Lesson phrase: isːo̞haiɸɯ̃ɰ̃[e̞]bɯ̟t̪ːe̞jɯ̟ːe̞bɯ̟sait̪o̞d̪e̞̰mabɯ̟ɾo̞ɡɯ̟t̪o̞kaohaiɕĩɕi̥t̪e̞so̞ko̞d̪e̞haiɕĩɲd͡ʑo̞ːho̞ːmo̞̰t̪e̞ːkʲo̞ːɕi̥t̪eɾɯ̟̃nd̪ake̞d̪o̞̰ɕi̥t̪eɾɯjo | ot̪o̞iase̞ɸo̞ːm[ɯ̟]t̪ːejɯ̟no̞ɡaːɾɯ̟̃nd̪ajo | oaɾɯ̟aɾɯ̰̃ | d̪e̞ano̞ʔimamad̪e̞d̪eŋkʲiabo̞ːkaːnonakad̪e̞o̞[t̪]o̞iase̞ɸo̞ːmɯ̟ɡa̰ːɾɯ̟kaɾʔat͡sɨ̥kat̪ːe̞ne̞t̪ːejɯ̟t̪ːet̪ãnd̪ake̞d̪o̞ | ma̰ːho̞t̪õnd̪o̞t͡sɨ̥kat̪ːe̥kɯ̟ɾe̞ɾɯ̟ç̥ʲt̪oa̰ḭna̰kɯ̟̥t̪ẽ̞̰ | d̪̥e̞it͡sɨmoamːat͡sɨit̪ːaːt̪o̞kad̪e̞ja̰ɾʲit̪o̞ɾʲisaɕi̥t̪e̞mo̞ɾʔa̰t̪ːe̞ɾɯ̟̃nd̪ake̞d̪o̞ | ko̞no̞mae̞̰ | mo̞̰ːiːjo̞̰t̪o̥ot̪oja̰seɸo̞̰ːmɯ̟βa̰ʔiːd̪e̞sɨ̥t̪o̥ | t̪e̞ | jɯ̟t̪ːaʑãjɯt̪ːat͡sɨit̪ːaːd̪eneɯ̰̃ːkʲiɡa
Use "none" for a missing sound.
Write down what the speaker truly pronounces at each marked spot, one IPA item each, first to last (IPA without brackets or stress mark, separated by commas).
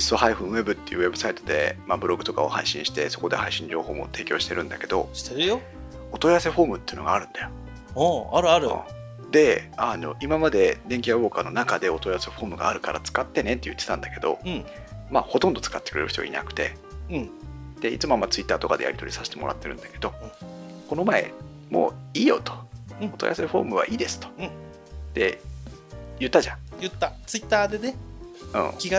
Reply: e̞, ɯ̟, t̪